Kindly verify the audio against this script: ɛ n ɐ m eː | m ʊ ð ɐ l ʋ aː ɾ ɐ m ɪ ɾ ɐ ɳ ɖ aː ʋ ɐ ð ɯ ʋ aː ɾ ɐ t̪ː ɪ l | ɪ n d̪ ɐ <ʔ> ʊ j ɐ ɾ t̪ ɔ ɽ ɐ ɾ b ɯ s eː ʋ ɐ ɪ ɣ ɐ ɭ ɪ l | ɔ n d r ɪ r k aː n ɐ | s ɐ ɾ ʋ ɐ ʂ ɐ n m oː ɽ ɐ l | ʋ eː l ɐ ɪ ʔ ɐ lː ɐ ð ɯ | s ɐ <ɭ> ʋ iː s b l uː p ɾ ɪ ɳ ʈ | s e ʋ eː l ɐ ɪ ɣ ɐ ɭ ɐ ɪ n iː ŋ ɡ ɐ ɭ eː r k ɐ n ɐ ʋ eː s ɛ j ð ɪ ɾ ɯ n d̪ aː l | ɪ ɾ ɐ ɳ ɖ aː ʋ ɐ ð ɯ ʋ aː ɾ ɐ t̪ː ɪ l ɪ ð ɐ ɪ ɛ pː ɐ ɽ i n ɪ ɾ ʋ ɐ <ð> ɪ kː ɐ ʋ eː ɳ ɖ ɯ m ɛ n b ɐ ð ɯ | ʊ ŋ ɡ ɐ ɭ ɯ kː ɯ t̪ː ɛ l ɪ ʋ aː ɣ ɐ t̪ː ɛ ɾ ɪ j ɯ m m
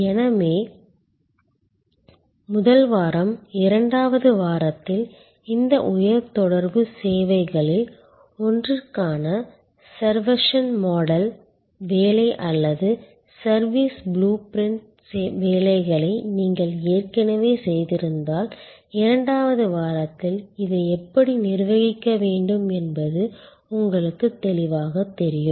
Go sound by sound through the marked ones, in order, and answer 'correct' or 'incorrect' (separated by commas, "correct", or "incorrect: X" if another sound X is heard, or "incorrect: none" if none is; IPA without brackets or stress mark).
correct, incorrect: ɾ, incorrect: ɣ